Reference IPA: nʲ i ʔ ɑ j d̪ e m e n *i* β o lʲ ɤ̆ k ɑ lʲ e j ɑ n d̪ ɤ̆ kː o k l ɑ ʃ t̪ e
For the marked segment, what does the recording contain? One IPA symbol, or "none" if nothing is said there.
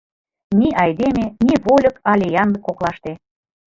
i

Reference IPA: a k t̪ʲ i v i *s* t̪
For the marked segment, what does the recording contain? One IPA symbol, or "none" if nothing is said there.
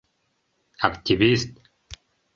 s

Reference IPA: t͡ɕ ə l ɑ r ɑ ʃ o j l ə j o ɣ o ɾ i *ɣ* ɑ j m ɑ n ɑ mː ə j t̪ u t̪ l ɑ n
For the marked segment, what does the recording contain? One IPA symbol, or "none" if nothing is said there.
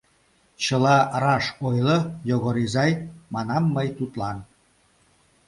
z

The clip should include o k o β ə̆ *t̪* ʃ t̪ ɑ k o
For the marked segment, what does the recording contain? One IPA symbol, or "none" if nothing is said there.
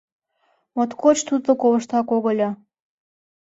none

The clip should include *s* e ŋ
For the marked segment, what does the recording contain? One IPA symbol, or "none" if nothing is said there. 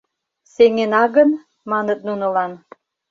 s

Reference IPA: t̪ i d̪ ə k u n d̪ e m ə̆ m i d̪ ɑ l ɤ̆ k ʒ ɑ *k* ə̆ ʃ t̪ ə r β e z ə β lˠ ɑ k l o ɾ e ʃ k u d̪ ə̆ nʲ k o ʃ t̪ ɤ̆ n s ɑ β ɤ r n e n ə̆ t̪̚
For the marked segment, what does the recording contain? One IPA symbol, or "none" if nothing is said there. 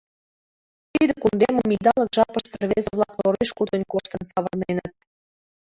p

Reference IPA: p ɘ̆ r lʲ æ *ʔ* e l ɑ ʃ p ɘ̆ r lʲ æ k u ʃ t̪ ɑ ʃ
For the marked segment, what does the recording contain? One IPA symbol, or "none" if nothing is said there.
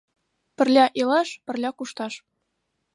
ʔ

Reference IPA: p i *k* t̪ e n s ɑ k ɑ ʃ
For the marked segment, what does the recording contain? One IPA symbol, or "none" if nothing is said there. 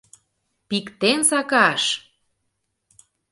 k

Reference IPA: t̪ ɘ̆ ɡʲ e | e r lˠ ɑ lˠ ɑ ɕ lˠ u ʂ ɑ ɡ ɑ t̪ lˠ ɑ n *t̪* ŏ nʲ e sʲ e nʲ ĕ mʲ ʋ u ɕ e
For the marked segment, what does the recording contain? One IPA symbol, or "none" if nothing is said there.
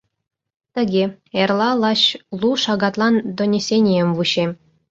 d̪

